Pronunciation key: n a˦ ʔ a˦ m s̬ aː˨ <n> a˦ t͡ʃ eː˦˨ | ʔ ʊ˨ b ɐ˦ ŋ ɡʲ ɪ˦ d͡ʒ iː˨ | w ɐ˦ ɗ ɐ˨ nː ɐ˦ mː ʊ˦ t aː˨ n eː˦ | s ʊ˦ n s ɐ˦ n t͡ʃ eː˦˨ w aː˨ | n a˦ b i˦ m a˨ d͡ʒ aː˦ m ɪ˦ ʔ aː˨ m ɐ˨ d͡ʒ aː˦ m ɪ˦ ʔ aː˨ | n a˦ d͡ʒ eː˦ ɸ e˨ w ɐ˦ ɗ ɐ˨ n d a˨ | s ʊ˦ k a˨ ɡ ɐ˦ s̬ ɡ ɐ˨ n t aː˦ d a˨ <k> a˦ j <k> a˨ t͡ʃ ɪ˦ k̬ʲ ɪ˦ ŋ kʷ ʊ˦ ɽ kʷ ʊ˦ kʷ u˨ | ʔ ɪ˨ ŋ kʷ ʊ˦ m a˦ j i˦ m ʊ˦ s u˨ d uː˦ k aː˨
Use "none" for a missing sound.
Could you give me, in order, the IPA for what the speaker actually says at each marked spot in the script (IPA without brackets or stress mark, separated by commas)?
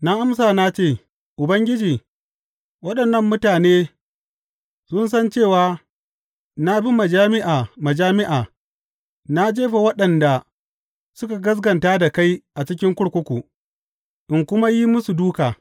n, k, ʔ